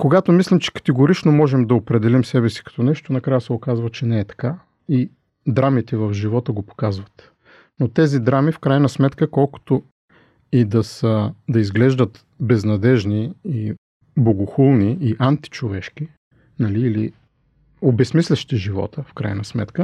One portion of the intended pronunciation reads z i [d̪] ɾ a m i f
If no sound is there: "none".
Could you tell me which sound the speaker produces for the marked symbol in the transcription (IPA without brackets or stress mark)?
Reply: d̪